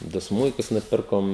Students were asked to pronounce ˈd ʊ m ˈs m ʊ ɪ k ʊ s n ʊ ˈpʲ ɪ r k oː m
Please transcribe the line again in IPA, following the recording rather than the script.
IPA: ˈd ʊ ˈs m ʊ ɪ k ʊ s n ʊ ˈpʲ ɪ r k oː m

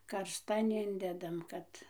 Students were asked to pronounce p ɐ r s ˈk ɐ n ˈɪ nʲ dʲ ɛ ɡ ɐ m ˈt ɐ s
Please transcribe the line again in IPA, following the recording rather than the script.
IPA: k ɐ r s ˈt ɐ n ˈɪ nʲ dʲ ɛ d ɐ m ˈk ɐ t

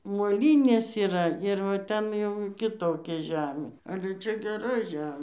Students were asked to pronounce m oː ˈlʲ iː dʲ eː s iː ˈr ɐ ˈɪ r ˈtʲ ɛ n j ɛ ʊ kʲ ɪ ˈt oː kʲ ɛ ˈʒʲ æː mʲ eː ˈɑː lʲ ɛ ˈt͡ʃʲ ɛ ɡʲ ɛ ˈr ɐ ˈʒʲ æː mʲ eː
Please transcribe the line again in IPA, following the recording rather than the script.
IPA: m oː ˈlʲ iː nʲ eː s iː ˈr ɐ ˈɪ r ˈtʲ ɛ n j ɛ ʊ kʲ ɪ ˈt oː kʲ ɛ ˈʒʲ æː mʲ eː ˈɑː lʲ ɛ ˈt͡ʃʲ ɛ ɡʲ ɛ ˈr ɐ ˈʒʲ æː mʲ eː

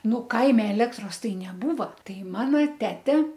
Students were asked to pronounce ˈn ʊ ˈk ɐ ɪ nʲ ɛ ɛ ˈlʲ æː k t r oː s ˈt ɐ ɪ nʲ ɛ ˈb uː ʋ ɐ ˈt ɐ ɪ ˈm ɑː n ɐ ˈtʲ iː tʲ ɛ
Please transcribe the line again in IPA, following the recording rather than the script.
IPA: ˈn ʊ ˈk ɐ ɪ mʲ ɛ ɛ ˈlʲ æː k t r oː s ˈt ɐ ɪ nʲ ɛ ˈb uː ʋ ɐ ˈt ɐ ɪ ˈm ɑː n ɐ ˈtʲ æː tʲ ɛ

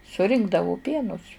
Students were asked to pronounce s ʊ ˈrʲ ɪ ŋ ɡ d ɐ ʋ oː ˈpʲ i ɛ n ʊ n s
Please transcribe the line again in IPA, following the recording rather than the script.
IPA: s ʊ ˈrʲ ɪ ŋ ɡ d ɐ ʋ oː ˈpʲ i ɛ n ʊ s

